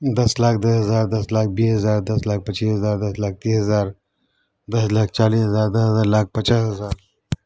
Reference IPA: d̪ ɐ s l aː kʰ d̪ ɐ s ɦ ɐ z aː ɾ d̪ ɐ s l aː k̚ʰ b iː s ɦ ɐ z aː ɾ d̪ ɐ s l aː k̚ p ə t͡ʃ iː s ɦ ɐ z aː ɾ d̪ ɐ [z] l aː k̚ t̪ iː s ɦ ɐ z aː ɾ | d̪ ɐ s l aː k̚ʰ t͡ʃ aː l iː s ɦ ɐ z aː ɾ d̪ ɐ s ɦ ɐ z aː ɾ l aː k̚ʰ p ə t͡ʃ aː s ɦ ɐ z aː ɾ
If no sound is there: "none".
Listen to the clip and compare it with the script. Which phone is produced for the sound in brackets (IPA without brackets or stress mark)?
s